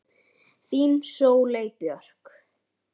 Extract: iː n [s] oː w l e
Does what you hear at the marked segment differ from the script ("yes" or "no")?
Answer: no